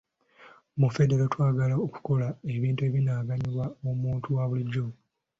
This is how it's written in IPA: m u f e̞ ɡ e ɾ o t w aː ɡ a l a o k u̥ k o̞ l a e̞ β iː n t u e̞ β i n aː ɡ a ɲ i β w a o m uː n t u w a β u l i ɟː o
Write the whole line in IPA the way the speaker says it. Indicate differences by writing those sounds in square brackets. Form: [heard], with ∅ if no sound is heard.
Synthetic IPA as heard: m u f e̞ [d] e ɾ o t w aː ɡ a l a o k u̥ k o̞ l a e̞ β iː n t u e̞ β i n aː ɡ a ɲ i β w a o m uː n t u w a β u l i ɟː o